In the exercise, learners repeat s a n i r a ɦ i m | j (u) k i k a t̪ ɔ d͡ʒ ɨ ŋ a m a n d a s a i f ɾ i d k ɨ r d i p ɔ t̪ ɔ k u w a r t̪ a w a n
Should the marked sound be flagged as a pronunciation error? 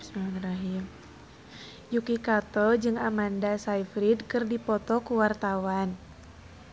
no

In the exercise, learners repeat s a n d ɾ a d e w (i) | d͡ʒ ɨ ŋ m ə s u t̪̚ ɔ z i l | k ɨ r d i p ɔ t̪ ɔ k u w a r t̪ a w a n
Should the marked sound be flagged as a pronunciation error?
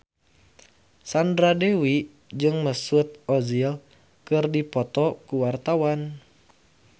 no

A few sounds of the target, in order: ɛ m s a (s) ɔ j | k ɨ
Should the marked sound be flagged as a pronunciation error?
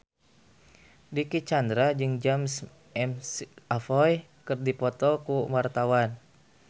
yes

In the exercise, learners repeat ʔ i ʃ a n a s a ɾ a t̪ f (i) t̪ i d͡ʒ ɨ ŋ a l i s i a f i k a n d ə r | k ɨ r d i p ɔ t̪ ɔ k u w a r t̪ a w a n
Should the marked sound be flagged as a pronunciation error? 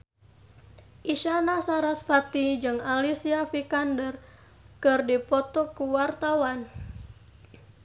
yes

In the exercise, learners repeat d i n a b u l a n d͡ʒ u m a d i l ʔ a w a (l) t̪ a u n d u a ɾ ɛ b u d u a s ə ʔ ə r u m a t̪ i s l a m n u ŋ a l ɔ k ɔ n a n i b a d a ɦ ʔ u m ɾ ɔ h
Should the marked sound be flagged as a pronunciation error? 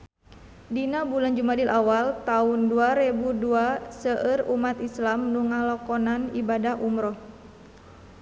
no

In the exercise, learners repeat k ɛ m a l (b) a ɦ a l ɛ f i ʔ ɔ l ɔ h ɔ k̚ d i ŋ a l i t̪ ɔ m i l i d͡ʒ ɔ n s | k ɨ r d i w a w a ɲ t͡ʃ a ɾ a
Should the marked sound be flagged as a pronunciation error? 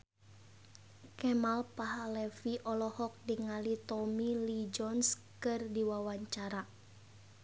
yes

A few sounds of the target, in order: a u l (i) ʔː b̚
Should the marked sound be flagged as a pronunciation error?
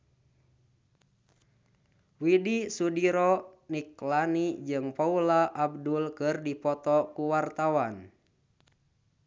yes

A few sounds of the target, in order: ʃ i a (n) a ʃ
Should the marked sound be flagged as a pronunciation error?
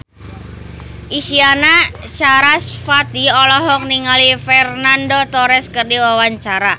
no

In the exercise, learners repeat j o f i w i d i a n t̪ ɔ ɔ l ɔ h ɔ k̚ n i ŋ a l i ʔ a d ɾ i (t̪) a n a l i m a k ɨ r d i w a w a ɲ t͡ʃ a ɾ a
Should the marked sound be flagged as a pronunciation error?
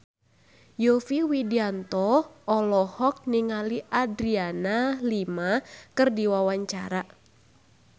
yes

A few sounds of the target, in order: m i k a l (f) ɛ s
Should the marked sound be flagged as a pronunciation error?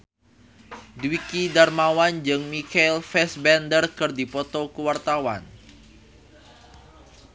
no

